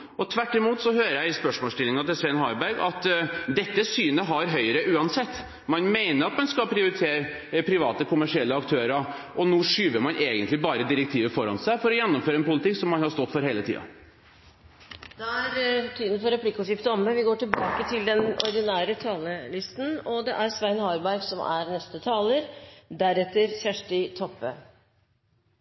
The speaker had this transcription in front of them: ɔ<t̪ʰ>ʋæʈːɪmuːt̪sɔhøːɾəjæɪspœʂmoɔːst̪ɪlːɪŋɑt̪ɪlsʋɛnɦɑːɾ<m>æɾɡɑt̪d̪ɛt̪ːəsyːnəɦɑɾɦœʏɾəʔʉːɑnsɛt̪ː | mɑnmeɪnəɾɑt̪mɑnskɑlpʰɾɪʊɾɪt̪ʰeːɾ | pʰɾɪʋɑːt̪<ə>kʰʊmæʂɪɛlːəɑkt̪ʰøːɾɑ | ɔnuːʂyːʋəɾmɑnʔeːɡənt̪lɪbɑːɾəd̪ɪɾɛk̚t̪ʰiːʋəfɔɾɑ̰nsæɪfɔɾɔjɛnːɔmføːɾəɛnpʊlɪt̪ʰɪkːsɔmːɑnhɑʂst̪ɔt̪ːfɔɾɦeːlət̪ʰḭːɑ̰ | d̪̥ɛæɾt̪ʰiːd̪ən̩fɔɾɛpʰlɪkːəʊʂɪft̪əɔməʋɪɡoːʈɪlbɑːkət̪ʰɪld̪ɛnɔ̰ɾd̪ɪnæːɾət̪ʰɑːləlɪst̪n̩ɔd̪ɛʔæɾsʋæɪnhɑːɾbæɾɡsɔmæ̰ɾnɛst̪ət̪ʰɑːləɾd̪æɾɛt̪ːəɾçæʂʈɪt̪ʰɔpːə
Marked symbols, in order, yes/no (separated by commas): yes, no, yes